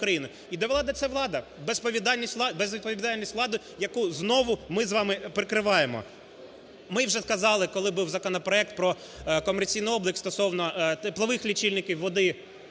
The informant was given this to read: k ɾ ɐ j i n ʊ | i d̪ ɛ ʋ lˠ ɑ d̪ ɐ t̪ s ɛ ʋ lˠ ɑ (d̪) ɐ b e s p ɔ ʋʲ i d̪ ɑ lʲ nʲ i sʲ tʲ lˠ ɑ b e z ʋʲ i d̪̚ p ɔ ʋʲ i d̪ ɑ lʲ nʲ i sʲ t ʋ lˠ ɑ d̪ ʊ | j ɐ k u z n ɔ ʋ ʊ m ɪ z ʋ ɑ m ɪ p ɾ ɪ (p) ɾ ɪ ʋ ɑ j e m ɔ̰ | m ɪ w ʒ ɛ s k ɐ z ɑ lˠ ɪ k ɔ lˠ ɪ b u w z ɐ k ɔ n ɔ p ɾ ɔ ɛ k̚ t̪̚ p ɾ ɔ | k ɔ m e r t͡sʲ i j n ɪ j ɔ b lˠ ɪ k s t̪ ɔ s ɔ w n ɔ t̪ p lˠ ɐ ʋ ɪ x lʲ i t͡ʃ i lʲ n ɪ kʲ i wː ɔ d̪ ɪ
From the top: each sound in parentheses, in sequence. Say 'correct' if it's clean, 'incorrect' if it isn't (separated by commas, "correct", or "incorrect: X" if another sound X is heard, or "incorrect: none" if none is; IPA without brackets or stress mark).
correct, incorrect: k